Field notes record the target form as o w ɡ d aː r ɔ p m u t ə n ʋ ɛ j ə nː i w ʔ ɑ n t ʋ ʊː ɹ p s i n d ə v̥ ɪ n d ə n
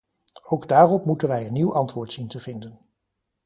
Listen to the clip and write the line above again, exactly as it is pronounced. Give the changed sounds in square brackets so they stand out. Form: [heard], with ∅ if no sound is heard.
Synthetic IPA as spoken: o w ɡ d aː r ɔ p m u t ə n ʋ ɛ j ə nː i w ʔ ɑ n t ʋ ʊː ɹ [t] s i n [t] ə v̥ ɪ n d ə n